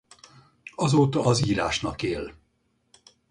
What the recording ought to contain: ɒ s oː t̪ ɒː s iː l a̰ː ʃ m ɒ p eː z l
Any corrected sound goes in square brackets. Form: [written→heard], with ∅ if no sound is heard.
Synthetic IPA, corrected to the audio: ɒ [s→z] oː t̪ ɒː [s→z] iː [l→ɾ] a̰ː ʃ [m→n] ɒ [p→k] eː [z→∅] l